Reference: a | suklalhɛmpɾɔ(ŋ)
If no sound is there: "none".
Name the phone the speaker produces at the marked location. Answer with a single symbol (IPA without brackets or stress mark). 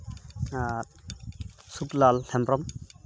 m